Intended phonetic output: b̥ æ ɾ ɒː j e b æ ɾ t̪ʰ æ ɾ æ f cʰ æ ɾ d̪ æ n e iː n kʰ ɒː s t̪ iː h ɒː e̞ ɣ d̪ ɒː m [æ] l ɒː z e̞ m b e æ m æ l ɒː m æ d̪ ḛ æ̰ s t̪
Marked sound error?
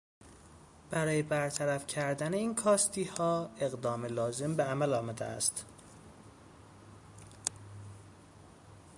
yes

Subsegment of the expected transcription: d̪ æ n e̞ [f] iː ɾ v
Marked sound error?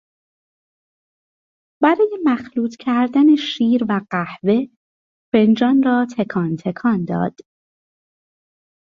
yes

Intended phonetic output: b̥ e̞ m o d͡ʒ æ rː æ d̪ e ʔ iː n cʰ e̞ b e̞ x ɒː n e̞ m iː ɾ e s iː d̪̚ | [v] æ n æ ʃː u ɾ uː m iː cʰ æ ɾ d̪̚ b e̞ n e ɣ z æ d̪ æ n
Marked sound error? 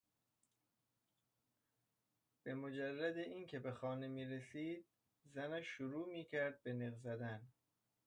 yes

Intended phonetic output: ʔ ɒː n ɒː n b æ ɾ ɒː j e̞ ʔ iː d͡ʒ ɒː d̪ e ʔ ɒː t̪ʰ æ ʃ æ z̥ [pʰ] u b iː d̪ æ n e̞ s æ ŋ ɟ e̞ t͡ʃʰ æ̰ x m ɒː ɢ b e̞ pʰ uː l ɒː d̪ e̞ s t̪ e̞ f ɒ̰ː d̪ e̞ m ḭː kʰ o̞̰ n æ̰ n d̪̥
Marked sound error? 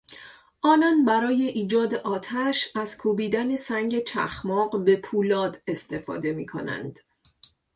yes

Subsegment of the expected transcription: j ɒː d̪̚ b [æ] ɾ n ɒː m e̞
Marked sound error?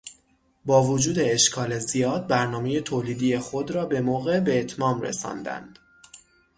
no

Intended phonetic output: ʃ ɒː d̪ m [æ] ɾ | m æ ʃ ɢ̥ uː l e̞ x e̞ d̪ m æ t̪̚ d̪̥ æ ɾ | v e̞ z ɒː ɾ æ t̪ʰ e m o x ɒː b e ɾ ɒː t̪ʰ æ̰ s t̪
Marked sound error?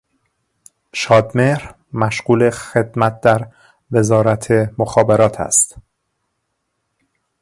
yes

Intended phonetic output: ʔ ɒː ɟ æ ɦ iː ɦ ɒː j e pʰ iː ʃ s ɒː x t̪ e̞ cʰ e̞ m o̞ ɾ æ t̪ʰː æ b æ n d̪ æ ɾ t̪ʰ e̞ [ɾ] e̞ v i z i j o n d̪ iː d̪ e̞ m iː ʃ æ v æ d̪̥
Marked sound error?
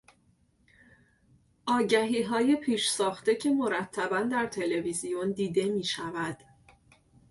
yes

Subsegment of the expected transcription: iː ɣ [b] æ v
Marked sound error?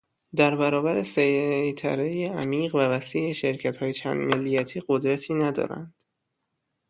yes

